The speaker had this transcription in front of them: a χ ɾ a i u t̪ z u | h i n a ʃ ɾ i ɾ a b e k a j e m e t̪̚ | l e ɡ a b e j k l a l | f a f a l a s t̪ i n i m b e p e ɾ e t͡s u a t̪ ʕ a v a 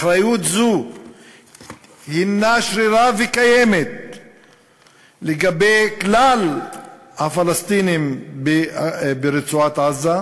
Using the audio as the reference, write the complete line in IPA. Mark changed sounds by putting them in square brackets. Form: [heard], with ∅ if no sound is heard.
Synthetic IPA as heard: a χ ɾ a [j] u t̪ z u | h i n a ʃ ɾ i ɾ a [v] e k a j e m e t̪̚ | l e ɡ a b e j k l a l | [h] a f a l a s t̪ i n i m b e [b] e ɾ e t͡s u a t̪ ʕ a [z] a